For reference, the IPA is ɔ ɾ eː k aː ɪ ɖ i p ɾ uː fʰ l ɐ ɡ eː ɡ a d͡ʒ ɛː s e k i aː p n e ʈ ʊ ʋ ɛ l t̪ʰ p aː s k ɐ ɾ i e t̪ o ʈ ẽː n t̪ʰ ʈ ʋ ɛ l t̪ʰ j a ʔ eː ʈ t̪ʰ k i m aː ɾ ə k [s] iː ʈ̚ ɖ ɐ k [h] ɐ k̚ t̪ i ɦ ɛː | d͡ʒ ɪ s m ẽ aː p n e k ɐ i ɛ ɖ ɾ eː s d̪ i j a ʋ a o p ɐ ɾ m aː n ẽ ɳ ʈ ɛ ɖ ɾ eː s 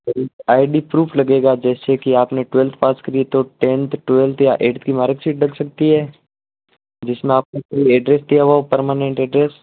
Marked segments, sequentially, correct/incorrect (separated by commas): correct, incorrect